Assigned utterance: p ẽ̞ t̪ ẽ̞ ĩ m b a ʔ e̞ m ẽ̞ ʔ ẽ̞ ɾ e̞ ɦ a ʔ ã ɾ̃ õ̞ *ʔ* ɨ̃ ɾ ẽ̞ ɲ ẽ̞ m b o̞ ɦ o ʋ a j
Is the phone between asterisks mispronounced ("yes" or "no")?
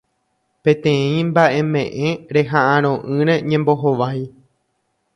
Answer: no